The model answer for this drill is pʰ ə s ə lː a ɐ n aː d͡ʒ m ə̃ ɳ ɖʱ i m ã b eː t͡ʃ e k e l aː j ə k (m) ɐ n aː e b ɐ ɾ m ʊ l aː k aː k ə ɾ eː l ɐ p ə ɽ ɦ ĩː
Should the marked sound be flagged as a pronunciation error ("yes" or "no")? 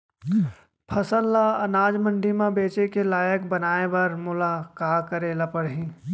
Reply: yes